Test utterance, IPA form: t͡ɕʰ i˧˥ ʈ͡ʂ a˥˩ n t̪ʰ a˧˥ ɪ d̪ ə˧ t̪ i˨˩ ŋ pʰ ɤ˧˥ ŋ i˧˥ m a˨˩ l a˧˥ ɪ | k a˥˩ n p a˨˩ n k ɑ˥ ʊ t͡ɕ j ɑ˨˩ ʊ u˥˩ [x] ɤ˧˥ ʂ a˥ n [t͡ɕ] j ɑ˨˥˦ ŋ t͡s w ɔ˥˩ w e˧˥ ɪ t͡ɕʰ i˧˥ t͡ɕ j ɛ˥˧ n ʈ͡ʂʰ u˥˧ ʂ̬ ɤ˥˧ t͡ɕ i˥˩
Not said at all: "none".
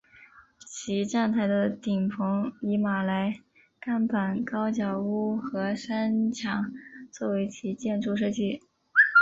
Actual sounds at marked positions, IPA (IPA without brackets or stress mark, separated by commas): x, t͡ɕʰ